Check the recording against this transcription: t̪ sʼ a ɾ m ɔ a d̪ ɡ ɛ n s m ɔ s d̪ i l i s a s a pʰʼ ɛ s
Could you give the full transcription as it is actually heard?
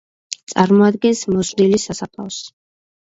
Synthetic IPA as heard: t̪ sʼ a ɾ m ɔ a d̪ ɡ ɛ n s m ɔ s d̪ i l i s a s a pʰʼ a s